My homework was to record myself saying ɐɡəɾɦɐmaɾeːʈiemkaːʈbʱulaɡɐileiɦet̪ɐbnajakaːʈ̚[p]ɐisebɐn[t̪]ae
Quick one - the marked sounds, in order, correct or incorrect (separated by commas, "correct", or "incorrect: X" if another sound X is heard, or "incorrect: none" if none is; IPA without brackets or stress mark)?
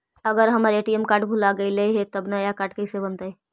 incorrect: k, correct